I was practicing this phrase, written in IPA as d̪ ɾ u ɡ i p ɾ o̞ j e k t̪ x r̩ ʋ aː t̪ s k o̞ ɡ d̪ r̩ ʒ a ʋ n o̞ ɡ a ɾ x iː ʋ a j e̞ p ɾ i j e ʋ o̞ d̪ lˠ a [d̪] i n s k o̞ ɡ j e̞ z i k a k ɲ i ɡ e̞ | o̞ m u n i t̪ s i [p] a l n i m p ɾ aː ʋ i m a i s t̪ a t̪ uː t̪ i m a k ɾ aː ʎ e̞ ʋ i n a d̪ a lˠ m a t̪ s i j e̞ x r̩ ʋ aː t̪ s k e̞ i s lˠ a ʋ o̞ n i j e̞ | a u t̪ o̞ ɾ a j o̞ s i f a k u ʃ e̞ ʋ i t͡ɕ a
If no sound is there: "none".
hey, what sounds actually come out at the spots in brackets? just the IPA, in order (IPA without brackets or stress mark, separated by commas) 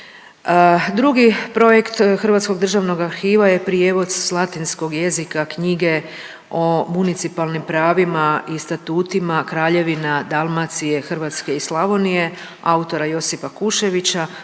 t̪, p